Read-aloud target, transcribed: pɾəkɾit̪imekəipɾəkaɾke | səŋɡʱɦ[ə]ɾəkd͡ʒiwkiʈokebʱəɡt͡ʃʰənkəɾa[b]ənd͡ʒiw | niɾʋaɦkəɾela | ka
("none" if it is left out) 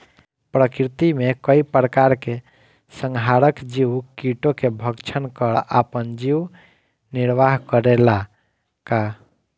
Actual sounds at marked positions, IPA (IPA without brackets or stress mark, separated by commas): a, p